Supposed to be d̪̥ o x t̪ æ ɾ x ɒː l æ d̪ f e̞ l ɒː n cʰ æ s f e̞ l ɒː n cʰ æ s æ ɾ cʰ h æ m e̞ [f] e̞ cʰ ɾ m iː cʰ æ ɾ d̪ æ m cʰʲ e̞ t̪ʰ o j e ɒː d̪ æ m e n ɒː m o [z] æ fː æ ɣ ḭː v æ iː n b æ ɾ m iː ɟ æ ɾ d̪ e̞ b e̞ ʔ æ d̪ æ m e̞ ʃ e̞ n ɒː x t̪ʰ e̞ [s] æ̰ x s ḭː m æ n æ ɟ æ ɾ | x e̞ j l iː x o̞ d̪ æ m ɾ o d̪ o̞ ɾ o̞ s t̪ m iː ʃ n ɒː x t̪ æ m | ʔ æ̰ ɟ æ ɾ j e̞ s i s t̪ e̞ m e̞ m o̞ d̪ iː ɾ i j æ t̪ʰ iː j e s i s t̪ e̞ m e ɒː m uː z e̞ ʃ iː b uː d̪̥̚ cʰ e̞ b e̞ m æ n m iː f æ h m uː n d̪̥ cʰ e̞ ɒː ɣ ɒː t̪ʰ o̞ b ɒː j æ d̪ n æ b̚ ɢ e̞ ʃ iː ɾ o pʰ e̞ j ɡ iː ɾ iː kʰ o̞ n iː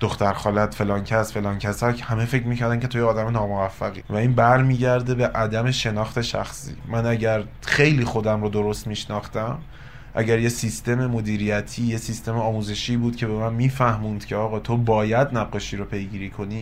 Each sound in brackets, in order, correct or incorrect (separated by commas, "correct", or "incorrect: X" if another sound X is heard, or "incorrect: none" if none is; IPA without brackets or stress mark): correct, incorrect: v, incorrect: ʃ